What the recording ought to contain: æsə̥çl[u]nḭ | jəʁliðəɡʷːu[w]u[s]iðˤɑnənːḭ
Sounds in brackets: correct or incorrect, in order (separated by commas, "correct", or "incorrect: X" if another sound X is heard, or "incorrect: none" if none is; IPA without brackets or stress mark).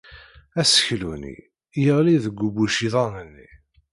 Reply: correct, incorrect: b, incorrect: ʃ